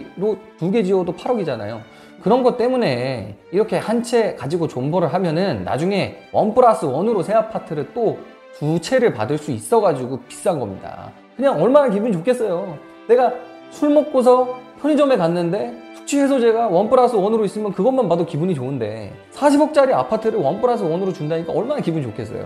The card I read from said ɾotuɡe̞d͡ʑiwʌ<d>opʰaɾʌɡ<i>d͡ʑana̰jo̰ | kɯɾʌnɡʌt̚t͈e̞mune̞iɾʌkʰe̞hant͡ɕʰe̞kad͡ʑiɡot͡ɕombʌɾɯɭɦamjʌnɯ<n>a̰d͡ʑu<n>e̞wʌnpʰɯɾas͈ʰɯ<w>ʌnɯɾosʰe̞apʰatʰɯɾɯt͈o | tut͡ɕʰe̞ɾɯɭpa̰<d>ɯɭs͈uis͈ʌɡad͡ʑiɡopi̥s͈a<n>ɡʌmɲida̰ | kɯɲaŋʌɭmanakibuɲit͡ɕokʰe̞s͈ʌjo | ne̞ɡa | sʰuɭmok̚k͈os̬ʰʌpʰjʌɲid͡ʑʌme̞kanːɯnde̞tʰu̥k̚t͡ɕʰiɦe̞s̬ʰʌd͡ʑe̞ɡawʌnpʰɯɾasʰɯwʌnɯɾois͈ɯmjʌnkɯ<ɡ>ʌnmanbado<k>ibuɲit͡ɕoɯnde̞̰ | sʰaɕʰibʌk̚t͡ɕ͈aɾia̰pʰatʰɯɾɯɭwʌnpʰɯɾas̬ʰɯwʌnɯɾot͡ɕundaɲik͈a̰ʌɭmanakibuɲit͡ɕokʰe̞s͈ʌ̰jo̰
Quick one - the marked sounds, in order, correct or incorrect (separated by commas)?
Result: correct, correct, incorrect, incorrect, correct, correct, correct, correct, correct